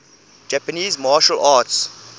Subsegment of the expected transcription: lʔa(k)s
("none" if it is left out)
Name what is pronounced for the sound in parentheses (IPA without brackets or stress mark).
t